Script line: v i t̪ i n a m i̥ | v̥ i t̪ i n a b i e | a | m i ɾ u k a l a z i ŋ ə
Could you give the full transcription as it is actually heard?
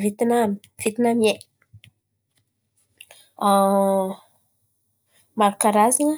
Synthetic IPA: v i t̪ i n a m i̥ | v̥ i t̪ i n a m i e | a | m a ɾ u k a ɾ a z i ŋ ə